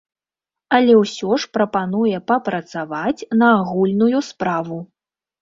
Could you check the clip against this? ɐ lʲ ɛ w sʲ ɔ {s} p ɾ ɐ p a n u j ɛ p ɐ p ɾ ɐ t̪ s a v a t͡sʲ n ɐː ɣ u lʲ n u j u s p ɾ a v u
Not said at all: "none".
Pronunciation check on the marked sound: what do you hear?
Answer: ʂ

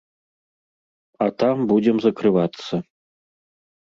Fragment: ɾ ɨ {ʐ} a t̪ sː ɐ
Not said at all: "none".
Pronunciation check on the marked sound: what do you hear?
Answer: v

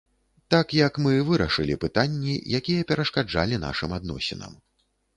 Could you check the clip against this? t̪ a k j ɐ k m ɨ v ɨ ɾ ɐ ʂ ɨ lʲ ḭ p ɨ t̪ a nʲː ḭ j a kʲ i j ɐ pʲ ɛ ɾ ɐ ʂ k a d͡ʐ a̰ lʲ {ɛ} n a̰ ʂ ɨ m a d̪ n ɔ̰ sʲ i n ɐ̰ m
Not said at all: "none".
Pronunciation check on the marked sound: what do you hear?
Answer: i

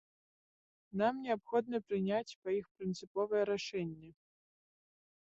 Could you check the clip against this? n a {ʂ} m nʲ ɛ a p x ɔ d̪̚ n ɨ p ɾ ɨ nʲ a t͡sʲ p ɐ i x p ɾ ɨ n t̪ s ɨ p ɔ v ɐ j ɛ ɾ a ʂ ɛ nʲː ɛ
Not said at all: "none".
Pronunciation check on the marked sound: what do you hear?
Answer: none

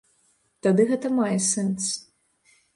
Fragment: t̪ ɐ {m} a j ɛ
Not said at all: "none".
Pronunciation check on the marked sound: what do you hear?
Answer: m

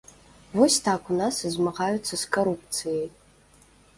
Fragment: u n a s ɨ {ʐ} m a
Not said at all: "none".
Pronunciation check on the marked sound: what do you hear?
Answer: z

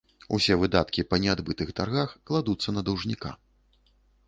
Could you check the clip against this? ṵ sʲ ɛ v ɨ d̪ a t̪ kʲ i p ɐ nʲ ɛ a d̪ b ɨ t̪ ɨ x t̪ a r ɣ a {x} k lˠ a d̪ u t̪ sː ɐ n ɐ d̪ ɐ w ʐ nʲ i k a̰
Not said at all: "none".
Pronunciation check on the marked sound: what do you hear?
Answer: x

